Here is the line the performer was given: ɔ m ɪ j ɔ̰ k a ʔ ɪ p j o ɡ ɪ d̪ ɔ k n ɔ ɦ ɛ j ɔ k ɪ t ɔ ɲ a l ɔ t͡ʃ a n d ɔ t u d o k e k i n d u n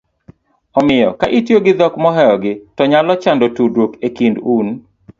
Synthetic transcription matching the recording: ɔ m ɪ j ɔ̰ k a ʔ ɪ t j o ɡ ɪ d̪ ɔ k m ɔ ɦ ɛ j ɔ ɡ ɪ t ɔ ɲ a l ɔ t͡ʃ a n d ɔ t u d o k e k i n d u n

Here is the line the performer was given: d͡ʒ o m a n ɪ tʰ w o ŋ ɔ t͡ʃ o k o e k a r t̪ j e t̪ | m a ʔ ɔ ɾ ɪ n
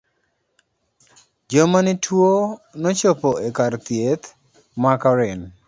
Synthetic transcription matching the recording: d͡ʒ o m a n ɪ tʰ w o n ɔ t͡ʃ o p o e k a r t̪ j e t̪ | m a k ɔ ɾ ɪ n

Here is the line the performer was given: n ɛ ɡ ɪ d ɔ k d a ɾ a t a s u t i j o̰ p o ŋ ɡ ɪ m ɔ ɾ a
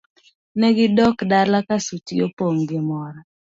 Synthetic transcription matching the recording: n ɛ ɡ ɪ d ɔ k d a l a k a s u t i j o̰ p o ŋ ɡ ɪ m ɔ ɾ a

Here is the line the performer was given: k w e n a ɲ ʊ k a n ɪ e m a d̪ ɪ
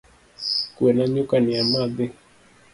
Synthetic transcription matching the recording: k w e n a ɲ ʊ k a n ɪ a m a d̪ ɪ

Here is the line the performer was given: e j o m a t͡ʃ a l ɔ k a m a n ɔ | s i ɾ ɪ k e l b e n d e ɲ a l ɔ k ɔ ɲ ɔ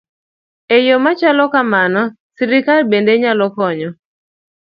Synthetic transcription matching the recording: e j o m a t͡ʃ a l ɔ k a m a n ɔ | s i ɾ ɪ k a l b e n d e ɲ a l ɔ k ɔ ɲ ɔ

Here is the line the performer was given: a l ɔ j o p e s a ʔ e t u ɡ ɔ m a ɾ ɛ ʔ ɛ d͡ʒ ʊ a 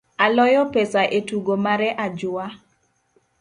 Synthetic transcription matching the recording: a l ɔ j ɔ p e s a ʔ e t u ɡ o m a ɾ ɛ ʔ a d͡ʒ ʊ a

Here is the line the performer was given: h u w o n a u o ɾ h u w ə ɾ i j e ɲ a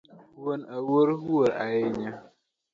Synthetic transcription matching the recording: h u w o n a w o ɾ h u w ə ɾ a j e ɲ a

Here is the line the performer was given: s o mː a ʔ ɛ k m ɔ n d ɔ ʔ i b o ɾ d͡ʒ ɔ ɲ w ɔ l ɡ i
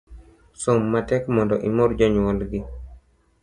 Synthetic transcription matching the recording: s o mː a t ɛ k m ɔ n d ɔ ʔ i m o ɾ d͡ʒ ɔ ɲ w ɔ l ɡ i

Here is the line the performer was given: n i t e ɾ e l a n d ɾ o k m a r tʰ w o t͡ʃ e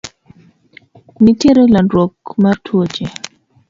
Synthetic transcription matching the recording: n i t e ɾ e l a n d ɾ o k m a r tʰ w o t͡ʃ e

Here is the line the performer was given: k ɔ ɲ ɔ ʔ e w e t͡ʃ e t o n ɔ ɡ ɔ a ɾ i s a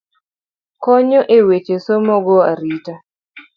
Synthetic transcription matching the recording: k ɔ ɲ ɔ ʔ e w e t͡ʃ e s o m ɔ ɡ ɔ a ɾ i t a

